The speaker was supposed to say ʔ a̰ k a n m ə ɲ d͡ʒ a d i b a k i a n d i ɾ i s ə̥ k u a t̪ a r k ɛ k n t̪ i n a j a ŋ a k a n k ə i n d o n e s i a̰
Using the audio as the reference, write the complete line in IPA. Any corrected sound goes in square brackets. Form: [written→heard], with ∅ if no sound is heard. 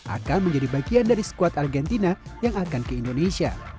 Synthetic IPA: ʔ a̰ k a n m ə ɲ d͡ʒ a d i b a [k→ɡ] i a n d [i→a] ɾ i s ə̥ k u a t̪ a r [k→ɡ] ɛ [k→∅] n t̪ i n a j a ŋ a k a n k ə i n d o n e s i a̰